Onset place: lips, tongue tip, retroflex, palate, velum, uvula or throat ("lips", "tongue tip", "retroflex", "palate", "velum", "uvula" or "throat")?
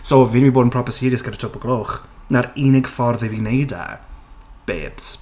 tongue tip